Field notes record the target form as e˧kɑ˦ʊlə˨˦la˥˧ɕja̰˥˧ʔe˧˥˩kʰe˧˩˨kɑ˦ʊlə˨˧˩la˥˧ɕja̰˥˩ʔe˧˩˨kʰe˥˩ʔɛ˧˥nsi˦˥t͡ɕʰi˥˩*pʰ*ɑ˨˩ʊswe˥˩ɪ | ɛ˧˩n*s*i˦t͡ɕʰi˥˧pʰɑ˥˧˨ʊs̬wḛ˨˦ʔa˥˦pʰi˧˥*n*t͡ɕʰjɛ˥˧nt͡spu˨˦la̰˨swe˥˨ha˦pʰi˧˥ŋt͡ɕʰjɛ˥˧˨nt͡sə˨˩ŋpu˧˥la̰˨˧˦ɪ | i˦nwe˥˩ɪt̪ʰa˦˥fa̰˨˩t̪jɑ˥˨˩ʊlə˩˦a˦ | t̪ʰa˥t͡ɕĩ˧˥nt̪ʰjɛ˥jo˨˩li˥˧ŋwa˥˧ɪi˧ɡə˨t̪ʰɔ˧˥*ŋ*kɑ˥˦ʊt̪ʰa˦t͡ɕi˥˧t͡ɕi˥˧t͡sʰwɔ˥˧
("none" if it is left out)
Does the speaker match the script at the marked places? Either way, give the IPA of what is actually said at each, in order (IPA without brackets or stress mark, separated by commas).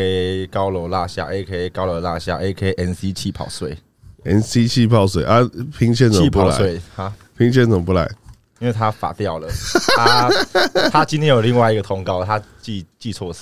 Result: pʰ, s, ŋ, ŋ